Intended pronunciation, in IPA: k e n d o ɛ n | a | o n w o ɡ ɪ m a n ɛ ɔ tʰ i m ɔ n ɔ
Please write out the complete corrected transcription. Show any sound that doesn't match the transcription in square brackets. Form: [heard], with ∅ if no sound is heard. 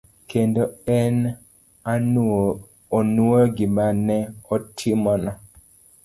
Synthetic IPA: k e n d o ɛ n | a | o n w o ɡ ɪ m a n ɛ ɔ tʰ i m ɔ n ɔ